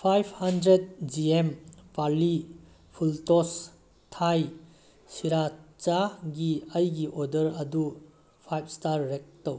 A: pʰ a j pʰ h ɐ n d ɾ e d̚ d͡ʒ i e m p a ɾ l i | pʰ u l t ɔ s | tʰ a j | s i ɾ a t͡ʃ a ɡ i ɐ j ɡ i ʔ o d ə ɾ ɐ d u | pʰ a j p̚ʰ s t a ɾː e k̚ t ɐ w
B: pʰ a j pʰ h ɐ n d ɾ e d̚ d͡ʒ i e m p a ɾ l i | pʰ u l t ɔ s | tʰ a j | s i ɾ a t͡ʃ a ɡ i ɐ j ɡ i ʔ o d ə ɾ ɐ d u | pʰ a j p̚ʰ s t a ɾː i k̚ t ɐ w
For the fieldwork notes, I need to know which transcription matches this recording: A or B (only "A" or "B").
A